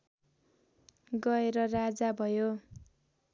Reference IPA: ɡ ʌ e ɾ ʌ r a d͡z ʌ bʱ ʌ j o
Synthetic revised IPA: ɡ ʌ e ɾ ʌ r a d͡z a bʱ ʌ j o